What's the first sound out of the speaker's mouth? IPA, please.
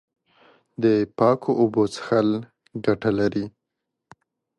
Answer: d̪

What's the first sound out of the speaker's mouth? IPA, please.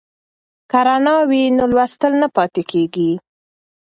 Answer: k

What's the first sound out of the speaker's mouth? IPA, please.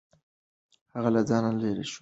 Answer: h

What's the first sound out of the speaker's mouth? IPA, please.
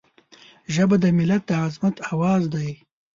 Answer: ʒ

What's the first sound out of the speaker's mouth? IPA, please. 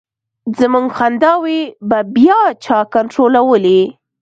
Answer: z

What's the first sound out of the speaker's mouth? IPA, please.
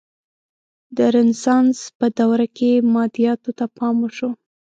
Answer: d̪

